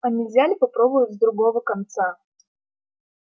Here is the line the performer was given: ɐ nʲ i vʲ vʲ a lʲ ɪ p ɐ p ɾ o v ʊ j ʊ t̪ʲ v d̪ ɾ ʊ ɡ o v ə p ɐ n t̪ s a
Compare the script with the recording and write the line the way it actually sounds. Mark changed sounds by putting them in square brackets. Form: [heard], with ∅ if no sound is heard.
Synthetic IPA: ɐ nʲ i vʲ [zʲ] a lʲ ɪ p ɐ p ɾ o [b] ʊ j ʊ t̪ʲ [z] d̪ ɾ ʊ ɡ o v ə [k] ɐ n t̪ s a